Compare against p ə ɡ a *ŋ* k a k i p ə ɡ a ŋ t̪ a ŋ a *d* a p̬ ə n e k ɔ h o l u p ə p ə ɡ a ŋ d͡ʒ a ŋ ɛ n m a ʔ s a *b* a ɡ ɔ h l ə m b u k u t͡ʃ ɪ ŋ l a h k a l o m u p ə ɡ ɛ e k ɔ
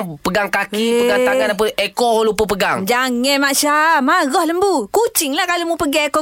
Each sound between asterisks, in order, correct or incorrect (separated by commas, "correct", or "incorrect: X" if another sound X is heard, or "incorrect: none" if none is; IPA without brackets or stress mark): correct, incorrect: n, incorrect: m